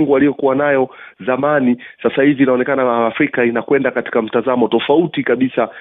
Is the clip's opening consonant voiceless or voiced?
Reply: voiced